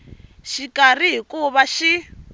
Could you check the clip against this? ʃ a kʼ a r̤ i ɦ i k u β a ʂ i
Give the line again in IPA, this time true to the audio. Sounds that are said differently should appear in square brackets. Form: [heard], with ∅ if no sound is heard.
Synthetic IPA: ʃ [i] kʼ a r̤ i ɦ i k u β a [ʃ] i